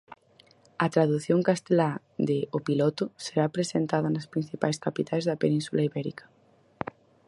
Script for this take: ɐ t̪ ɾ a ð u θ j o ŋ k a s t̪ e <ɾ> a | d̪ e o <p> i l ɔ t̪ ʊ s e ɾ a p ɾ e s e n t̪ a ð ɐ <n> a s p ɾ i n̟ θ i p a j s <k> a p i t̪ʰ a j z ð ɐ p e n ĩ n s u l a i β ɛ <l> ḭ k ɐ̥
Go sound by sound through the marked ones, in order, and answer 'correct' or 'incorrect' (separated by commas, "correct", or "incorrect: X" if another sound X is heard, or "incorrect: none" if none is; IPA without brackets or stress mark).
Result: incorrect: l, correct, correct, correct, incorrect: ɾ